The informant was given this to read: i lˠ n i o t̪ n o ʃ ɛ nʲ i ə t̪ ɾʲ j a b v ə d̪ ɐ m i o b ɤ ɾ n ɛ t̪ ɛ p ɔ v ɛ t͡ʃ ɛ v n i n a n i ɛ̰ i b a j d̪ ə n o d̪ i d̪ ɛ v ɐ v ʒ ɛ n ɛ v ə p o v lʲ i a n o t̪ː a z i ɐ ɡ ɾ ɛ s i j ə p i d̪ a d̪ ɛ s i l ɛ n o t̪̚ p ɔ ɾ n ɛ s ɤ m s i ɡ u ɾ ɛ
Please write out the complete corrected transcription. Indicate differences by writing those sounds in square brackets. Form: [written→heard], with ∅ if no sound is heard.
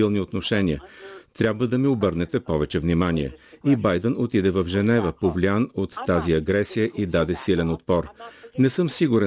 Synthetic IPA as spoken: i lˠ n i o t̪ n o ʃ ɛ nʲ i ə t̪ ɾʲ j a b v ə d̪ ɐ m i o b ɤ ɾ n ɛ t̪ ɛ p ɔ v ɛ t͡ʃ ɛ v n i [n→m] a n i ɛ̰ i b a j d̪ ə n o [d̪→t̪] i d̪ ɛ v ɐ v ʒ ɛ n ɛ v ə p o v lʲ i a n o t̪ː a z i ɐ ɡ ɾ ɛ s i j ə [p→ʔ] i d̪ a d̪ ɛ s i l ɛ n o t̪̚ p ɔ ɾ n ɛ s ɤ m s i ɡ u ɾ ɛ